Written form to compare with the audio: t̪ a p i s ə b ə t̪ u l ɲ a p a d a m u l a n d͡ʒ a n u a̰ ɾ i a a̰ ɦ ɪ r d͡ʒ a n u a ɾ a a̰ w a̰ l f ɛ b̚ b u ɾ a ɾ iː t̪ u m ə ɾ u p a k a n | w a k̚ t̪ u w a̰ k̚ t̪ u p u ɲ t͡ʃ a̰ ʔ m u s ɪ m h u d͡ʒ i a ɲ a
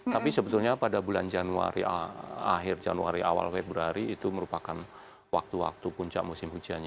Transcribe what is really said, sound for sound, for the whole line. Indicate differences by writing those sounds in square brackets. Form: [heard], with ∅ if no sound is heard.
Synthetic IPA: t̪ a p i s ə b ə t̪ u l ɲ a p a d a [b] u l a n d͡ʒ a n u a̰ ɾ i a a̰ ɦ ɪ r d͡ʒ a n u a ɾ [i] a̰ w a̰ l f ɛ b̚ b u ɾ a ɾ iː t̪ u m ə ɾ u p a k a n | w a k̚ t̪ u w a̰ k̚ t̪ u p u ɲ t͡ʃ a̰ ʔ m u s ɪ m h u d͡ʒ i a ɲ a